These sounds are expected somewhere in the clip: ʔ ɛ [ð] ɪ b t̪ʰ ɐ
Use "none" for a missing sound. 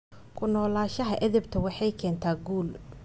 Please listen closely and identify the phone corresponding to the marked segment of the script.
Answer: ð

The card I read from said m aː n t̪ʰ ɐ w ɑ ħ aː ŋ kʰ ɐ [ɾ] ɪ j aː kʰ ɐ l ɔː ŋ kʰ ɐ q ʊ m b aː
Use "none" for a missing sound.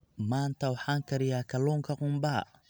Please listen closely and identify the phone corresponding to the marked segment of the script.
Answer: ɾ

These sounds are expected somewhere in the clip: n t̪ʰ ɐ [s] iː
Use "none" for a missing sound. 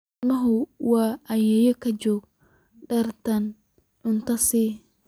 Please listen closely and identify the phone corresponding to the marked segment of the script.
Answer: s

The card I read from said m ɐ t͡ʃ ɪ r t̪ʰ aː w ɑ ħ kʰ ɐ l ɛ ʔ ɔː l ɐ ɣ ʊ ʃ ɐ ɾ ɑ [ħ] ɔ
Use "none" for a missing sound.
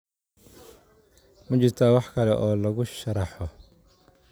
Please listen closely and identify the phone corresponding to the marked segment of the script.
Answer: ħ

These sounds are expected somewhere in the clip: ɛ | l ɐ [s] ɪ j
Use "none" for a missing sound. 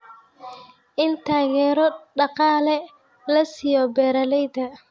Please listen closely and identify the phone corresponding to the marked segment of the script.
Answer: s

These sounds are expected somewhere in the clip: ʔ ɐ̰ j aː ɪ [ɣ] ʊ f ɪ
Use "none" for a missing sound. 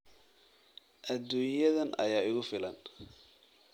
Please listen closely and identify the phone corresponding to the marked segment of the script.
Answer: ɣ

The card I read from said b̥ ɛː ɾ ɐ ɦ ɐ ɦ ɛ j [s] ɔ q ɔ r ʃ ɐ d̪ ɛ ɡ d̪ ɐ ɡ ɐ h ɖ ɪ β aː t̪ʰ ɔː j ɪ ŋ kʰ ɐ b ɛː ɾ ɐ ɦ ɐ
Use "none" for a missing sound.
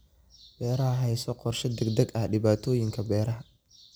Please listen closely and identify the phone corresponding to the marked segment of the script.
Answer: s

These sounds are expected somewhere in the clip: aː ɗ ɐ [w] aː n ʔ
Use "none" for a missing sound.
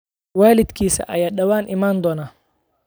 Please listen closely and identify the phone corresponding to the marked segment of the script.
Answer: w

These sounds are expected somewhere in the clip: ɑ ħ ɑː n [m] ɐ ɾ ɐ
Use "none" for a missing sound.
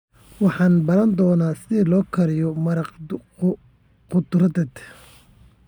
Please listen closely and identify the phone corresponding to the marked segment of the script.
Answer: b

